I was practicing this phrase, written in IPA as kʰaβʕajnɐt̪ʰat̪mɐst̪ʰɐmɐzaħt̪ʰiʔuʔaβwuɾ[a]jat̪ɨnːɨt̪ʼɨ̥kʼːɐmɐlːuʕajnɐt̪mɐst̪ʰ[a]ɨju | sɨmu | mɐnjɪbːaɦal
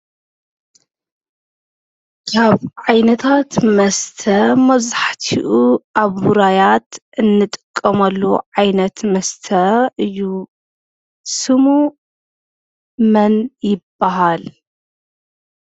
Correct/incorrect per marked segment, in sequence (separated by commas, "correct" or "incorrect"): correct, incorrect